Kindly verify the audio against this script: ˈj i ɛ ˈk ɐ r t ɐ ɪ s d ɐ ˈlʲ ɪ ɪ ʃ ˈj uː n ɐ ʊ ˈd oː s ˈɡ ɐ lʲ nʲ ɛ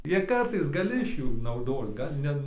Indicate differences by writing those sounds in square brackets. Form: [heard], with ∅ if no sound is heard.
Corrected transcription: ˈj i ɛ ˈk ɐ r t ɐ ɪ s [ɡ] ɐ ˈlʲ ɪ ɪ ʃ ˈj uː n ɐ ʊ ˈd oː s ˈɡ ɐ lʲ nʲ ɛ